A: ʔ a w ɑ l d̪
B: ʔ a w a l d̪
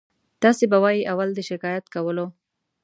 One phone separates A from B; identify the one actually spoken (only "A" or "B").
B